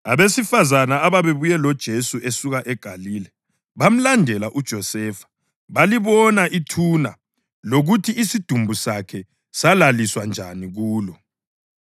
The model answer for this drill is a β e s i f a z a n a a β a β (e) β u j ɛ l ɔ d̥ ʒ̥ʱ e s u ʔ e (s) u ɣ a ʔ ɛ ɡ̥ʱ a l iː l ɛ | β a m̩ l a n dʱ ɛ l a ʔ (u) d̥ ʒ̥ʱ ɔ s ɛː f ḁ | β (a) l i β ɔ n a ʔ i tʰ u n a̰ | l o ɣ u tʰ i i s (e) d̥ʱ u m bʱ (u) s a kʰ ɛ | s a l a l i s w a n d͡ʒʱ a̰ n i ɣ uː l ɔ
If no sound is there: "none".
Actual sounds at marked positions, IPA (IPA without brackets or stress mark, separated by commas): e, s, u, a, i, u